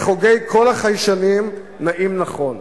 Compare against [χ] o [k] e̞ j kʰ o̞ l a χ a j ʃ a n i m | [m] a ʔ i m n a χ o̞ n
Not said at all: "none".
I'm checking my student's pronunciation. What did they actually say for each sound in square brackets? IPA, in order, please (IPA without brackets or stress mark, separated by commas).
χ, ɡ, n